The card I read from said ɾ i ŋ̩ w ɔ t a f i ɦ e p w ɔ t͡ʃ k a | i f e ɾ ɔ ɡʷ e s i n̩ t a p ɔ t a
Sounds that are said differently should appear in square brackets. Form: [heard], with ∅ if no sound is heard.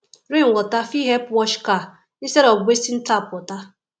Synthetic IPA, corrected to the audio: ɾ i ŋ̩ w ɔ t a f i ɦ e p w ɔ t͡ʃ k a | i [s] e ɾ ɔ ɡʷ e s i n̩ t a p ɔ t a